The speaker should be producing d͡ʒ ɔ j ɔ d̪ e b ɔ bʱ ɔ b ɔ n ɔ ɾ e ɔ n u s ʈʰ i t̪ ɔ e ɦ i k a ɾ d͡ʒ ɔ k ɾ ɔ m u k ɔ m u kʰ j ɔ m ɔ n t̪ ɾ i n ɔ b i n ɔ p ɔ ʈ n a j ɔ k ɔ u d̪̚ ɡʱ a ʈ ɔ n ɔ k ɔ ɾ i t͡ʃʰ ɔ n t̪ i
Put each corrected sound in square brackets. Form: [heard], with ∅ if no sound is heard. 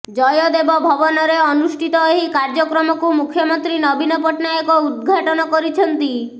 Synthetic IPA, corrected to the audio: d͡ʒ ɔ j ɔ d̪ e b ɔ bʱ ɔ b ɔ n ɔ ɾ e ɔ n u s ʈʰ i t̪ ɔ e ɦ i k a ɾ d͡ʒ ɔ k ɾ ɔ m [ɔ] k [u] m u kʰ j ɔ m ɔ n t̪ ɾ i n ɔ b i n ɔ p ɔ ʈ n a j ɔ k ɔ u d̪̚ ɡʱ a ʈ ɔ n ɔ k ɔ ɾ i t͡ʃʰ ɔ n t̪ i